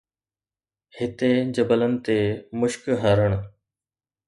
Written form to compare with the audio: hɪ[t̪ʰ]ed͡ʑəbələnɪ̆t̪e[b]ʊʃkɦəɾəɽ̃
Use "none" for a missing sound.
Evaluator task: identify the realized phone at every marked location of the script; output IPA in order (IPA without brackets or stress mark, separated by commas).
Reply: t̪, m